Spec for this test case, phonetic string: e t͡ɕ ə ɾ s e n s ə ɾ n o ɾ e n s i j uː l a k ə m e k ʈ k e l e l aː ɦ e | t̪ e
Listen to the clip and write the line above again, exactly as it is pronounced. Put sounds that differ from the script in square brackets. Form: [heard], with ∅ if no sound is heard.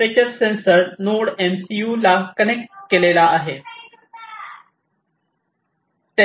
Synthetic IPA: e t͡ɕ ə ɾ s e n s ə ɾ n o [ɽ] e [m] s i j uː l a k ə [n] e k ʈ k e l e l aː ɦ e | t̪ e